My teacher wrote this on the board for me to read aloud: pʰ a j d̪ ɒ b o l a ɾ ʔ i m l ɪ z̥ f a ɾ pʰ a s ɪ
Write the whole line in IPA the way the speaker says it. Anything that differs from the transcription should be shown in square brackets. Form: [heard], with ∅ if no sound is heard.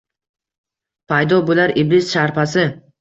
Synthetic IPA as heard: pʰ a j d̪ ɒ b o l a ɾ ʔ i [b] l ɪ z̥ [ʃ] a ɾ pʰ a s ɪ